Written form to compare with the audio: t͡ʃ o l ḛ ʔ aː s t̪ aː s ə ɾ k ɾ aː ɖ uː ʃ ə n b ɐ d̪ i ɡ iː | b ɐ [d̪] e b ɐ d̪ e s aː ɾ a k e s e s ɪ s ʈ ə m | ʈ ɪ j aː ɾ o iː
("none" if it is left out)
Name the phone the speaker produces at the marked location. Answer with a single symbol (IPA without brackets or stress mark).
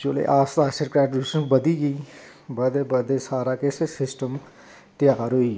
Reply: d̪